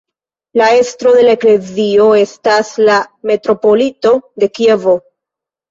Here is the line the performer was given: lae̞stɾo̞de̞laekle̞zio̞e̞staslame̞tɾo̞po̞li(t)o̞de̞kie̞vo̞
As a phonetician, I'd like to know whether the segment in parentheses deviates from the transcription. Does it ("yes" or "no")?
no